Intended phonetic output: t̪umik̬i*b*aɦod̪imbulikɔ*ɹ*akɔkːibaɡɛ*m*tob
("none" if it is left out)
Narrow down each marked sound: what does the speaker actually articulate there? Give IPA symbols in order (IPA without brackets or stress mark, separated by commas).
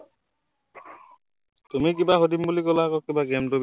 b, l, m